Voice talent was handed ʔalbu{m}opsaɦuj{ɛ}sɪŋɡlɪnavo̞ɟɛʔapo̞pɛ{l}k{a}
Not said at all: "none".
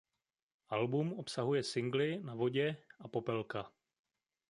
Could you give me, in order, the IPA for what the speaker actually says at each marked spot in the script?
m, ɛ, l, a

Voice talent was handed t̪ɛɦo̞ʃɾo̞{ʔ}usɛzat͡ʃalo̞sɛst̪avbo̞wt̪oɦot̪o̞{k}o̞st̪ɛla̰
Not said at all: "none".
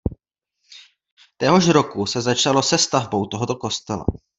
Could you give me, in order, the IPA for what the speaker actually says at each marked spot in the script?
k, k

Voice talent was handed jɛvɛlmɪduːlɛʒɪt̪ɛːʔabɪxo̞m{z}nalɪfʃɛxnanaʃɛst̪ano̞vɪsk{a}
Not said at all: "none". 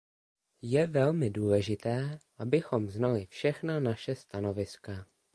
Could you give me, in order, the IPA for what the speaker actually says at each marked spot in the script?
z, a

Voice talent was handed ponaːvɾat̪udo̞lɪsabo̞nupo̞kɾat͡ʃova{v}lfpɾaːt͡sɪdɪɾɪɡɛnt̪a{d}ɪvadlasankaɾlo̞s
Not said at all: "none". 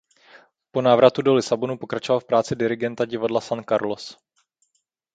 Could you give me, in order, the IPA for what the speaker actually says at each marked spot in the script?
none, ɟ

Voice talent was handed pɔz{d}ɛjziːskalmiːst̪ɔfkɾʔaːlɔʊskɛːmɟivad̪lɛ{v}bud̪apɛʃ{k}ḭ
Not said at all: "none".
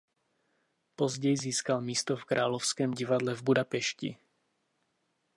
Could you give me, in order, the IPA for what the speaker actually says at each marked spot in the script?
ɟ, v, c

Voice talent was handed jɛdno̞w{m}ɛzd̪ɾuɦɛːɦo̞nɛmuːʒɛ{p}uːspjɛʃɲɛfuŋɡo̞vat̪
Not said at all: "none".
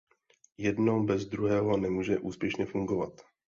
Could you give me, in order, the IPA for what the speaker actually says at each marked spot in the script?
b, ʔ

